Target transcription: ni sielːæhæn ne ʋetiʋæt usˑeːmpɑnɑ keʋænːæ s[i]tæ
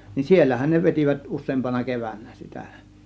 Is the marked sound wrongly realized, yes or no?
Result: no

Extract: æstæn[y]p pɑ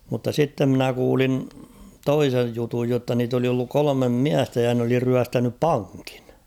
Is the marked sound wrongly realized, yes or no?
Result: no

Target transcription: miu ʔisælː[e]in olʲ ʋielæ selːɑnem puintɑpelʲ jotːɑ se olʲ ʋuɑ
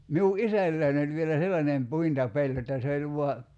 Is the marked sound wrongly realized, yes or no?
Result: yes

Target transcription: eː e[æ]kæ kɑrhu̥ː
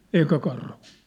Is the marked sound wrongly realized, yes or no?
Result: yes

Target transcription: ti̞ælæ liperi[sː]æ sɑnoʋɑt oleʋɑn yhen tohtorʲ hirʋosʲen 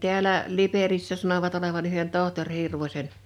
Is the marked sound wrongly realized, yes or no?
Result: no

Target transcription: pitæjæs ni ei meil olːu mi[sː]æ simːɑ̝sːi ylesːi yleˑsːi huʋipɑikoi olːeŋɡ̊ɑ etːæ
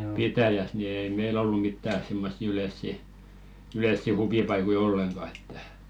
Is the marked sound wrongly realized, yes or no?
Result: yes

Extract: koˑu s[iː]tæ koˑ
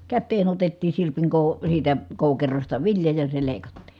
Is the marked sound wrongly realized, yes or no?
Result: no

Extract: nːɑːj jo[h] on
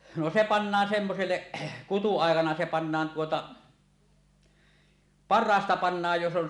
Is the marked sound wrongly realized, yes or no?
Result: yes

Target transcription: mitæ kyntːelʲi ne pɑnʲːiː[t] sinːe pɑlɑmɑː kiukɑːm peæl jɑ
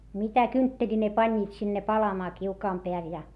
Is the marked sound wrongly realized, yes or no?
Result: no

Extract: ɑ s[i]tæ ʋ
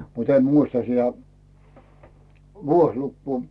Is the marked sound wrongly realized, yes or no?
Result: no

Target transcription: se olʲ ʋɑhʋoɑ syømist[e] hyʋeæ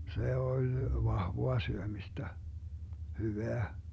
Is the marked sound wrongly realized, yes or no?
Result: yes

